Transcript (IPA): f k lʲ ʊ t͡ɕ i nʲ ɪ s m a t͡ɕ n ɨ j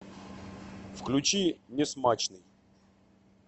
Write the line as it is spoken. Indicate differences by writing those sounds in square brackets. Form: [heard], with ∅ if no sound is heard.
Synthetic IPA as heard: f k lʲ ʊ t͡ɕ i nʲ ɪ s m a t͡ɕ n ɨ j